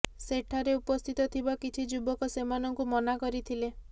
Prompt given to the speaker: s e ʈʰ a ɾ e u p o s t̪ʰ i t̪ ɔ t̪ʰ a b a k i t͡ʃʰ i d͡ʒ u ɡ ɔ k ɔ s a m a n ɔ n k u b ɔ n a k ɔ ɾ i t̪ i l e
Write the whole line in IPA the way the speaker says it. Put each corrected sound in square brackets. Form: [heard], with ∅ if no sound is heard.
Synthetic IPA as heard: s e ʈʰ a ɾ e u p [ɔ] s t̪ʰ i t̪ ɔ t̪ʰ [i] b a k i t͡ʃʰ i d͡ʒ u [b] ɔ k ɔ s [e] m a n ɔ [ŋ] k u [m] ɔ n a k ɔ ɾ i [t̪ʰ] i l e

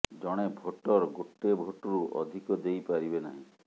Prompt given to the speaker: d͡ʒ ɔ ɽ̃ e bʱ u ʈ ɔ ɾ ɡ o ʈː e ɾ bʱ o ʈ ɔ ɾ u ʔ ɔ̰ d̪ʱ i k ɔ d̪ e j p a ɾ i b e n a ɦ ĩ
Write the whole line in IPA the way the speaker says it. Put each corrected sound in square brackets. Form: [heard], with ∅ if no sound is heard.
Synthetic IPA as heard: d͡ʒ ɔ ɽ̃ e bʱ [o] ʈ ɔ ɾ ɡ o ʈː e [∅] bʱ o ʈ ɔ ɾ u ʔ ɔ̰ d̪ʱ i k ɔ d̪ e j p a ɾ i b e n a ɦ ĩ

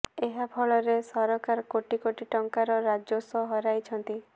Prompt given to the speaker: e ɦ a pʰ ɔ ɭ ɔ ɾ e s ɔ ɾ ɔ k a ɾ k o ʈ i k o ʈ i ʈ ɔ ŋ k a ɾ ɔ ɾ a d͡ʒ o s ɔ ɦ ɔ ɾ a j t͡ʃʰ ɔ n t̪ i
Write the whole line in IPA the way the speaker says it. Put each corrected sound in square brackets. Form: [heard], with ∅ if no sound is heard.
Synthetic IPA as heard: e ɦ a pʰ ɔ ɭ ɔ ɾ e s ɔ ɾ ɔ k a ɾ k o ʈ i k o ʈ i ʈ ɔ ŋ k a ɾ ɔ ɾ a d͡ʒ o s ɔ ɦ ɔ ɾ a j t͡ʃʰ ɔ n t̪ i

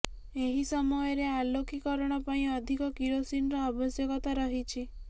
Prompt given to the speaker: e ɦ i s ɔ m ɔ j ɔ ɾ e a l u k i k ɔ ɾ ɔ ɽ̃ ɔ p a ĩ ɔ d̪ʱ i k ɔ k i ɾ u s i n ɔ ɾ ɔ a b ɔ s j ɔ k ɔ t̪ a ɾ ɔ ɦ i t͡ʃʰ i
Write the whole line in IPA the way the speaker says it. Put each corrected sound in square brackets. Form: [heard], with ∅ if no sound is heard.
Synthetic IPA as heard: e ɦ i s ɔ m ɔ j ɔ ɾ e a l [o] k i k ɔ ɾ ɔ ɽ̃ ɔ p a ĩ ɔ d̪ʱ i k ɔ k i ɾ [o] s i n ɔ ɾ ɔ a b ɔ s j ɔ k ɔ t̪ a ɾ ɔ ɦ i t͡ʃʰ i

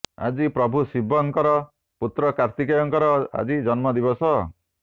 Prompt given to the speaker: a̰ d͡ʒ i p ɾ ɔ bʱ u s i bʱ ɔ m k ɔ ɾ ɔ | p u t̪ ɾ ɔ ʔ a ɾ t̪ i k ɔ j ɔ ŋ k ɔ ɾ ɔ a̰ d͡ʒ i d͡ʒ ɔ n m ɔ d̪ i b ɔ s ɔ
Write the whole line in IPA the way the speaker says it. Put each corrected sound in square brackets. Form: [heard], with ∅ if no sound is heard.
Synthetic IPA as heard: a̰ d͡ʒ i p ɾ ɔ bʱ u s i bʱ ɔ [ŋ] k ɔ ɾ ɔ | p u t̪ ɾ ɔ [k] a ɾ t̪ i k ɔ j ɔ ŋ k ɔ ɾ ɔ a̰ d͡ʒ i d͡ʒ ɔ n m ɔ d̪ i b ɔ s ɔ

